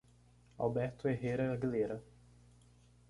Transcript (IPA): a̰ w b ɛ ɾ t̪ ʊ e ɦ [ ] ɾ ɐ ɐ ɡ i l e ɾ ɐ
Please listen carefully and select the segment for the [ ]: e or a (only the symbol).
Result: e